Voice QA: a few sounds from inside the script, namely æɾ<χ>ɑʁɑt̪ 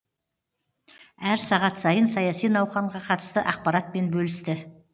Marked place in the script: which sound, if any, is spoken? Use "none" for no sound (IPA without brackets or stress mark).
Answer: s